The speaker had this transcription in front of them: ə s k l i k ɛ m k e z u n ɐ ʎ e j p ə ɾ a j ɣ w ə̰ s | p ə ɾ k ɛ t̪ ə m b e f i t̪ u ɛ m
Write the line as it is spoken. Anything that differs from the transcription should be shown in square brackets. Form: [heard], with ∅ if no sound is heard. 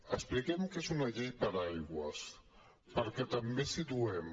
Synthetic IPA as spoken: ə s [p] l i k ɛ m k e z u n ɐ ʎ e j p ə ɾ a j ɣ w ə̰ s | p ə ɾ k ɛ t̪ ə m b e [s] i t̪ u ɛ m